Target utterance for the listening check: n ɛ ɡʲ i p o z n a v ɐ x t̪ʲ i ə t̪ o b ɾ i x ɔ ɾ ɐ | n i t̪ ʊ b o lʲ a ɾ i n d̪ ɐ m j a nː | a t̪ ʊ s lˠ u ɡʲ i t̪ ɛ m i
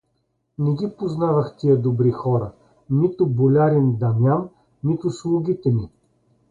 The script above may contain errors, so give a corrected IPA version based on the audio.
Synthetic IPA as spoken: n ɛ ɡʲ i p o z n a v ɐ x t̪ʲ i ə d̪ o b ɾ i x ɔ ɾ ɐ | n i t̪ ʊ b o lʲ a ɾ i n d̪ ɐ m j a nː | i t̪ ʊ s lˠ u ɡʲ i t̪ ɛ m i